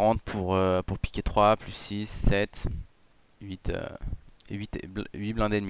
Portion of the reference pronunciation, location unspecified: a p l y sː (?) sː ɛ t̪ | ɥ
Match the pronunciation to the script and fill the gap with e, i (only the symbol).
i